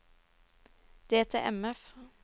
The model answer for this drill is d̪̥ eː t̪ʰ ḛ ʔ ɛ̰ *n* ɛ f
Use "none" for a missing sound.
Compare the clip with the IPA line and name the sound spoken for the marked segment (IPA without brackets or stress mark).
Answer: m